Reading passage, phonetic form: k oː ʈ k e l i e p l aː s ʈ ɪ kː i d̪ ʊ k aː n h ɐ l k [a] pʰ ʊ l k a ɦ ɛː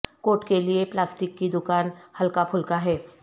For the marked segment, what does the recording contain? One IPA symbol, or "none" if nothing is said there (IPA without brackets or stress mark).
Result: a